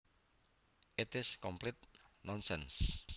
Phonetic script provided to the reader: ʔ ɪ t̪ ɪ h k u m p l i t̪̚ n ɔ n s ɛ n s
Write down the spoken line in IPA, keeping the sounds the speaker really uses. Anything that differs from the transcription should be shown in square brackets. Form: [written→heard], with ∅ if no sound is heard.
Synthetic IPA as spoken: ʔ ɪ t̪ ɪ [h→s] k [u→ɔ] m p l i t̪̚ n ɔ n s ɛ n s